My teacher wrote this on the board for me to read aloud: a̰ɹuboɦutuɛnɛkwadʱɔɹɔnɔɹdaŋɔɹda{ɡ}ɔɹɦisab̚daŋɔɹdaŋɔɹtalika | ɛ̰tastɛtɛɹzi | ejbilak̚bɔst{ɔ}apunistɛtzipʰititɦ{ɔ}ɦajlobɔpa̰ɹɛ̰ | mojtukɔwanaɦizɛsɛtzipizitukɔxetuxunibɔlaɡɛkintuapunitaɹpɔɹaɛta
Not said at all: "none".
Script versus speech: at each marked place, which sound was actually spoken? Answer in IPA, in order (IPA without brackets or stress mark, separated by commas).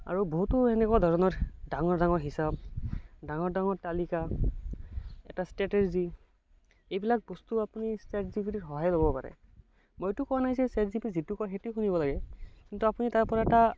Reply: ŋ, u, ɔ